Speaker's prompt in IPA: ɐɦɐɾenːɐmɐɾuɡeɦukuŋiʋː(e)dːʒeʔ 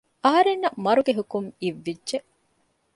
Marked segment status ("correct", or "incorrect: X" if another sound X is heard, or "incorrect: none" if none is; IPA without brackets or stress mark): incorrect: i